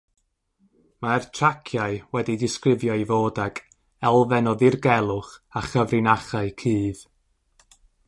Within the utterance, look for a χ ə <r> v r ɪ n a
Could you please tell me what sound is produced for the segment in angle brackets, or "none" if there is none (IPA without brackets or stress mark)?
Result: none